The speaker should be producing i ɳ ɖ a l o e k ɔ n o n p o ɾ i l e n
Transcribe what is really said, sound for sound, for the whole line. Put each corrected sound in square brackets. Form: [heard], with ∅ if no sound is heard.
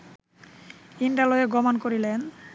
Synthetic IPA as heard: i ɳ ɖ a l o e [ɡ] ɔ [m] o n [k] o ɾ i l e n